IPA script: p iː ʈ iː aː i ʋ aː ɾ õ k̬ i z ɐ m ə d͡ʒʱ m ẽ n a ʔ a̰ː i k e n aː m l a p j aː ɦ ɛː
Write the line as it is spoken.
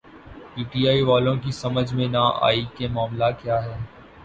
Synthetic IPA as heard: p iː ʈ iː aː i ʋ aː l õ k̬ i s ɐ m ə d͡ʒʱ m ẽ n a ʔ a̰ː i k e m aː m l a k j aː ɦ ɛː

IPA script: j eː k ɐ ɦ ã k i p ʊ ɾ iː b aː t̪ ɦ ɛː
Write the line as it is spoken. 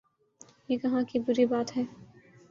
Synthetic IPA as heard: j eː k ɐ ɦ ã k i b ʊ ɾ i b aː t̪ ɦ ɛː

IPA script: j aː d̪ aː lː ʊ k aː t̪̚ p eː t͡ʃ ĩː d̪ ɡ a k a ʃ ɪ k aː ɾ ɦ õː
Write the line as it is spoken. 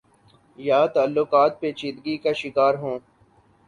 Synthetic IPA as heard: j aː t̪ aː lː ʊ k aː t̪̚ p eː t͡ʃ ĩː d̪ ɡ i k a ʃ ɪ k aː ɾ ɦ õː

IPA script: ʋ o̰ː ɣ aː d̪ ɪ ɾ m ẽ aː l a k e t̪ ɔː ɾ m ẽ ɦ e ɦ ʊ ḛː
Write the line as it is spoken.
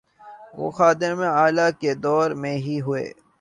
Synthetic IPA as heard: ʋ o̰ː x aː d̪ ɪ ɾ m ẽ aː l a k e d̪ ɔː ɾ m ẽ ɦ i ɦ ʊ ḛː

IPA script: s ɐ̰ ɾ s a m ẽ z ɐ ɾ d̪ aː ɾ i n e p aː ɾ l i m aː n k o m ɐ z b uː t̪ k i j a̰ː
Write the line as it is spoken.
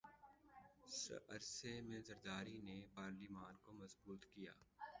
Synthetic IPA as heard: s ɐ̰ ɾ s e m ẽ z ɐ ɾ d̪ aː ɾ i n e p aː ɾ l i m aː n k o m ɐ z b uː t̪ k i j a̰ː

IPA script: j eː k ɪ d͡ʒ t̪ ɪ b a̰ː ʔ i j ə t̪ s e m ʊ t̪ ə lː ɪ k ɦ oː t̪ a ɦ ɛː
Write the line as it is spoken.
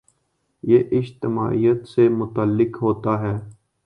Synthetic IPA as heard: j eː ʔ ɪ d͡ʒ t̪ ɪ m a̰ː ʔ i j ə t̪ s e m ʊ t̪ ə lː ɪ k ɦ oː t̪ a ɦ ɛː

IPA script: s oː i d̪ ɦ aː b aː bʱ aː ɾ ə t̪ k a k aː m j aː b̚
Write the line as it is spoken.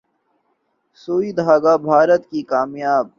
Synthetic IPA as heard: s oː i d̪ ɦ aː ɡ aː bʱ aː ɾ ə t̪ k i k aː m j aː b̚

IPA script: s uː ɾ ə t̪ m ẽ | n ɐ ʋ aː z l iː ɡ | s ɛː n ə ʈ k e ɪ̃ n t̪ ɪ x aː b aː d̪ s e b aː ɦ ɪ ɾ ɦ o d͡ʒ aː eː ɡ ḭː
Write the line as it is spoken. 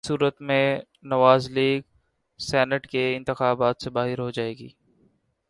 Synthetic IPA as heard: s uː ɾ ə t̪ m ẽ | n ɐ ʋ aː z l iː ɡ | s ɛː n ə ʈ k e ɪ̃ n t̪ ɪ x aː b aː t̪ s e b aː ɦ ɪ ɾ ɦ o d͡ʒ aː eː ɡ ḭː

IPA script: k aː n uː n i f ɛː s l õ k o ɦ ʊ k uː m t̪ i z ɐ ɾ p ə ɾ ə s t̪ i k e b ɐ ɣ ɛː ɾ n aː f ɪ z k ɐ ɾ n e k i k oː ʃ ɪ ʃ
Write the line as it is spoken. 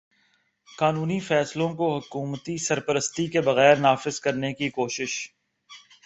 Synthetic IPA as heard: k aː n uː n i f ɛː s l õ k o ɦ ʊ k uː m t̪ i s ɐ ɾ p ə ɾ ə s t̪ i k e b ɐ ɣ ɛː ɾ n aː f ɪ z k ɐ ɾ n e k i k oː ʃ ɪ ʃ

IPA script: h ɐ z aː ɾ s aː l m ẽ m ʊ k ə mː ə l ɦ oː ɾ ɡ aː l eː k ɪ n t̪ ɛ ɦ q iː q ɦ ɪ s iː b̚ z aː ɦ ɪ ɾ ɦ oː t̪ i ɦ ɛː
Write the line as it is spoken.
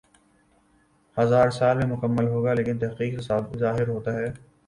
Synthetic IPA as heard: h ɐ z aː ɾ s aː l m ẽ m ʊ k ə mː ə l ɦ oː ɡ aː l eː k ɪ n t̪ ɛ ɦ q iː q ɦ ɪ s aː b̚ z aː ɦ ɪ ɾ ɦ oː t̪ a ɦ ɛː

